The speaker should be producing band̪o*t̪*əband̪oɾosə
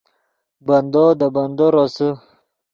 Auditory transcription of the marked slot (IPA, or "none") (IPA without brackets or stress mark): d̪